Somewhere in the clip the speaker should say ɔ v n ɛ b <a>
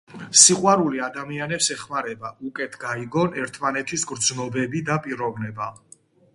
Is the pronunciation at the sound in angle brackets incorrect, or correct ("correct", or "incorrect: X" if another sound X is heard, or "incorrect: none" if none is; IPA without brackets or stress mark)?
correct